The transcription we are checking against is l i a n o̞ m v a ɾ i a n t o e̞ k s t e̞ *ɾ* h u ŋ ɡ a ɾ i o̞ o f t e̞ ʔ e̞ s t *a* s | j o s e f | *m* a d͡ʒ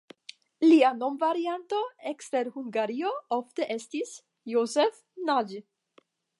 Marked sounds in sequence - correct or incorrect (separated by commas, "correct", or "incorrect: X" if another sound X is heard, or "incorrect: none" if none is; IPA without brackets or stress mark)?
correct, incorrect: i, incorrect: n